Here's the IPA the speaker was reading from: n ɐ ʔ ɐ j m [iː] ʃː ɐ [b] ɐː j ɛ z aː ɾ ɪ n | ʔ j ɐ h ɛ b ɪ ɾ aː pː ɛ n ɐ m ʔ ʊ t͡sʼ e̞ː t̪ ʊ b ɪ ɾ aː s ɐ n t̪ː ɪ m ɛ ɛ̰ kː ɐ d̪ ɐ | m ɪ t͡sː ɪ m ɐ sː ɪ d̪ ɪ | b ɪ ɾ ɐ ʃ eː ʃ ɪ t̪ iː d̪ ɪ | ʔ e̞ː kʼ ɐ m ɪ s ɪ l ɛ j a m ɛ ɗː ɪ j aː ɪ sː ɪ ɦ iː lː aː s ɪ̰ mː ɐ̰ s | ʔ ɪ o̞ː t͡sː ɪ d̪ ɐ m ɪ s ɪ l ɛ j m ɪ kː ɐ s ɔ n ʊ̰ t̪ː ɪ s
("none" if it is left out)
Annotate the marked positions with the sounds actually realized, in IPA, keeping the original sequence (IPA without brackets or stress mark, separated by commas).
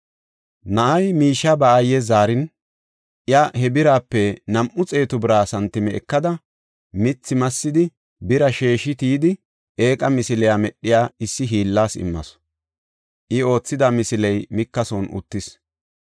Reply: iː, b